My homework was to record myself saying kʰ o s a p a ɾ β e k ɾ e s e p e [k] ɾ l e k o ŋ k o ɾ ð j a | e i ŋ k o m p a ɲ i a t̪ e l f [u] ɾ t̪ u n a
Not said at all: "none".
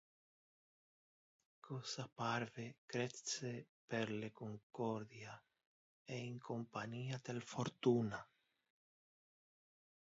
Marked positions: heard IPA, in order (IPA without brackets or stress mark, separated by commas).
none, o